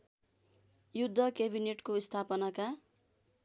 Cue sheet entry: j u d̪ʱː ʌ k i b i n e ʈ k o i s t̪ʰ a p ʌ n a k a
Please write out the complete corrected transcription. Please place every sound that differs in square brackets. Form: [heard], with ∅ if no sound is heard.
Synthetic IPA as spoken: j u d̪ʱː ʌ k [e] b i n e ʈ k o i s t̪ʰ a p ʌ n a k a